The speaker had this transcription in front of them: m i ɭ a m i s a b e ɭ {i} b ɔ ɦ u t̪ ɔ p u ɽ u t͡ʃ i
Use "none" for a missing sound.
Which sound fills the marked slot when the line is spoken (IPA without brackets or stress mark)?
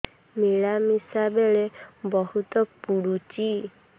e